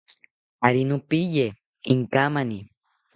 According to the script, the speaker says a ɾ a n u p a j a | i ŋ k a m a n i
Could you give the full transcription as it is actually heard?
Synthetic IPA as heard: a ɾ i n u p i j e | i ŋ k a m a n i